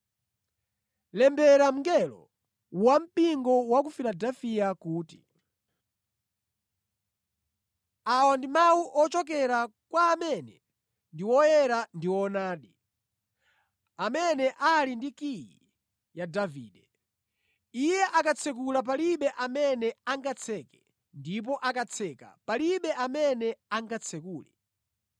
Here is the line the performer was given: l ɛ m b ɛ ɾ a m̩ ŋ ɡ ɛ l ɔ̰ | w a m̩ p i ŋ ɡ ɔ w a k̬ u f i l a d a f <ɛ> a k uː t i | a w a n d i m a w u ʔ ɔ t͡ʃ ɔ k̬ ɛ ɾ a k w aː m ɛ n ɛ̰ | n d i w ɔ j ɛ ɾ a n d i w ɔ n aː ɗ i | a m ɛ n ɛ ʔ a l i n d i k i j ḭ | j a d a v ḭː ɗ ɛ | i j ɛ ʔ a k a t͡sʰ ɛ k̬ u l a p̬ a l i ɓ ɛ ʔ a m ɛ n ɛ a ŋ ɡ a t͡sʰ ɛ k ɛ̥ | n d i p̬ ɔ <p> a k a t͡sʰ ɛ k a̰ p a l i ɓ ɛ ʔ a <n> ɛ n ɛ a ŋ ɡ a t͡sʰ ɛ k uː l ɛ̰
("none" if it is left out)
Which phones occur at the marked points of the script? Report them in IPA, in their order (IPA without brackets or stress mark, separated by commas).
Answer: i, ʔ, m